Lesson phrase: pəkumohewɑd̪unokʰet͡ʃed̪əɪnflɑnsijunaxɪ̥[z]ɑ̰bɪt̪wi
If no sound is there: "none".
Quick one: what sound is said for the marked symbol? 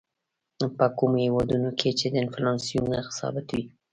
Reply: s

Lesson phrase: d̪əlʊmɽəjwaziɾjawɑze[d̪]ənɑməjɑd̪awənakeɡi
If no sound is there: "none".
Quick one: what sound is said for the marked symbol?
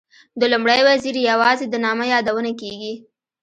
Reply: d̪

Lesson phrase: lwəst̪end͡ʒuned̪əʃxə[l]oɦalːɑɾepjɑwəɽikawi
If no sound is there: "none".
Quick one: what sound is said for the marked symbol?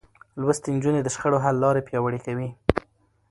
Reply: ɽ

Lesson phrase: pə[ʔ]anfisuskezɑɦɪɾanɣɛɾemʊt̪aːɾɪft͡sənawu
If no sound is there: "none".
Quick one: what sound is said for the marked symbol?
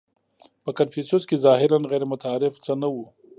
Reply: k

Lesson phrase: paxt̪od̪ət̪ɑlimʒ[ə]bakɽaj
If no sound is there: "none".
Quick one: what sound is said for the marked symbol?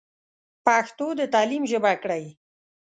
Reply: ə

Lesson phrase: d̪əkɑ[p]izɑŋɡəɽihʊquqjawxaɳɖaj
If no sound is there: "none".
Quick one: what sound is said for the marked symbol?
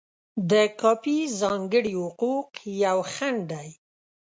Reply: p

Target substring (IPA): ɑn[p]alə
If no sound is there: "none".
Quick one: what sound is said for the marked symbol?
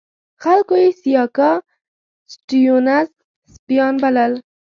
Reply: b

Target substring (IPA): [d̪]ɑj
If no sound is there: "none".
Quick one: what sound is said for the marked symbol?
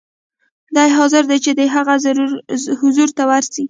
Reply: d̪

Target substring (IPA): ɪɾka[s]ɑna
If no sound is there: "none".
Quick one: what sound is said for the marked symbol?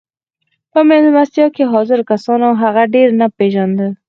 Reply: s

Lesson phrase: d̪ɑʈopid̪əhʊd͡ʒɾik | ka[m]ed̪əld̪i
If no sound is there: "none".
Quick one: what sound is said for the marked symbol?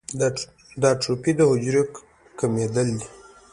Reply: m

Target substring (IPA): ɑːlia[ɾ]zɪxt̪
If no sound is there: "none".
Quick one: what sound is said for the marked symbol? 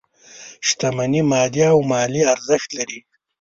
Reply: ɾ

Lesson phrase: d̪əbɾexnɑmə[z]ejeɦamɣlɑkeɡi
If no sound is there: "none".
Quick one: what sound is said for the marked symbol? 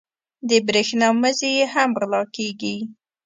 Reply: z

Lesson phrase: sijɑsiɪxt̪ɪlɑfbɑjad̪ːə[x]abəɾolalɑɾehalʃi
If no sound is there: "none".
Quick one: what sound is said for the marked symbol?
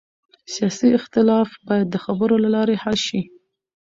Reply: x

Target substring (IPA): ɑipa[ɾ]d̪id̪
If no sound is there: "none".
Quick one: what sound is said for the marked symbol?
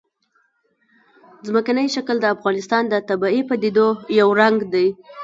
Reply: none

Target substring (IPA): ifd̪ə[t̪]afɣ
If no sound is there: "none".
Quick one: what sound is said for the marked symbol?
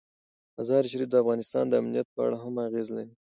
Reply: none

